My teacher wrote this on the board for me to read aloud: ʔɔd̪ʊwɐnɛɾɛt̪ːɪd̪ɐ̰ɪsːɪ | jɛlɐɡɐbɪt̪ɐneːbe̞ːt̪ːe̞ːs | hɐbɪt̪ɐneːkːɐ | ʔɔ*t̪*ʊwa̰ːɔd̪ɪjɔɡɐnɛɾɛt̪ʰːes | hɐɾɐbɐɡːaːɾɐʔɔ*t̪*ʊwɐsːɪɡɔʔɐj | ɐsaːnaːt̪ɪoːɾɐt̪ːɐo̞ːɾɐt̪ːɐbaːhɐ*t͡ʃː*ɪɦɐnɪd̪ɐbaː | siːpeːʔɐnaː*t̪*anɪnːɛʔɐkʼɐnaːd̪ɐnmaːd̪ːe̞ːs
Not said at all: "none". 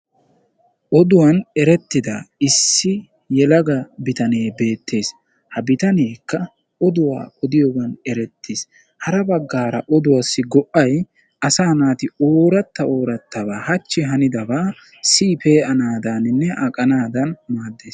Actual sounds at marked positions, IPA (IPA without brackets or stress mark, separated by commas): d̪, d̪, t͡ʃː, d̪